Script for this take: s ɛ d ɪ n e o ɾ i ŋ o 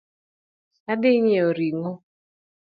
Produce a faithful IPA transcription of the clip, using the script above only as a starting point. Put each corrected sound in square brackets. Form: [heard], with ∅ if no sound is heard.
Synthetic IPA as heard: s [a] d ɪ [ɲ] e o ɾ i ŋ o